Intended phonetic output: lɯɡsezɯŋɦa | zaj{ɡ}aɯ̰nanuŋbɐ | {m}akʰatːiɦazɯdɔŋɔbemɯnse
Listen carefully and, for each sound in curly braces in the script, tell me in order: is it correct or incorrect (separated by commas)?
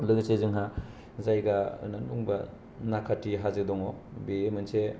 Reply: correct, incorrect